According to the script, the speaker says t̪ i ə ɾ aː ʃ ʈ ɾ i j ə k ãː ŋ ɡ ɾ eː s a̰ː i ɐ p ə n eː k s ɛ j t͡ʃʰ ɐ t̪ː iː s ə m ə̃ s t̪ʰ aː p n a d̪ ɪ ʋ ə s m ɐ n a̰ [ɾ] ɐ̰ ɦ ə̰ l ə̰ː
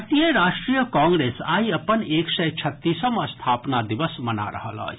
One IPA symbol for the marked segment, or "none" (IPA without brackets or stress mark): ɾ